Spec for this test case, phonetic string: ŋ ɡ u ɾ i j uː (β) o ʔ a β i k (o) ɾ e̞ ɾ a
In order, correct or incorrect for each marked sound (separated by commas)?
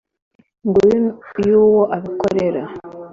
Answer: incorrect, correct